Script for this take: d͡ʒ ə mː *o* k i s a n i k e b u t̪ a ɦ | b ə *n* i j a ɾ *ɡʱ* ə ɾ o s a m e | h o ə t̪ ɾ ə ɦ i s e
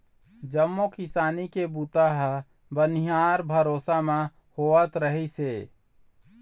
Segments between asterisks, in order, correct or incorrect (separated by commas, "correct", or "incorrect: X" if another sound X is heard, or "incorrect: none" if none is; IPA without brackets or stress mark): correct, correct, incorrect: bʱ